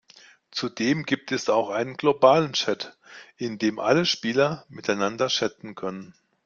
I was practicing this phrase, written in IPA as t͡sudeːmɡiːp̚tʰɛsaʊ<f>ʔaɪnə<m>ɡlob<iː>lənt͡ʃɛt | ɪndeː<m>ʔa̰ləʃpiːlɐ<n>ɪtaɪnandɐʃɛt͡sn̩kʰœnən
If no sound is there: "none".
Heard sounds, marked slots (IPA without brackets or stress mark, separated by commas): x, n, aː, m, m